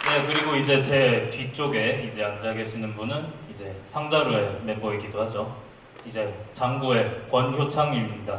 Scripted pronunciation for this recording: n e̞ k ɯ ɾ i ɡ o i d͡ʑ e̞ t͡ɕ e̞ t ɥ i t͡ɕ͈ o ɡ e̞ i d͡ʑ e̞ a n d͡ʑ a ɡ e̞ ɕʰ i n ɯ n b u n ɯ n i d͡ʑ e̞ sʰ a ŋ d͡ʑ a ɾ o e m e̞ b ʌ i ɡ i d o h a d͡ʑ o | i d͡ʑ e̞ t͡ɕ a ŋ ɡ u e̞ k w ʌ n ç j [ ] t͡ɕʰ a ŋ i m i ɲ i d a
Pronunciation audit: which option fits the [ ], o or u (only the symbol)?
o